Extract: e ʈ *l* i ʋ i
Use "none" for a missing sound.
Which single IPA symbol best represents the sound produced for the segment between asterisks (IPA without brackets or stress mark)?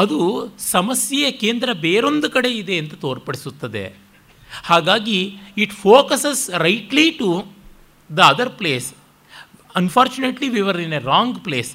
l